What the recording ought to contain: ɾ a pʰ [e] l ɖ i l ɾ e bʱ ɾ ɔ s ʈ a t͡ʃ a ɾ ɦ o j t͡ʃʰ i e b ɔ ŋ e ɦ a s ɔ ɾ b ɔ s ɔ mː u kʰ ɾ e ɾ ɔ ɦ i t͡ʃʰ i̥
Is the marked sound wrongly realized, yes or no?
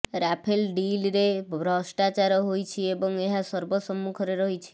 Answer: no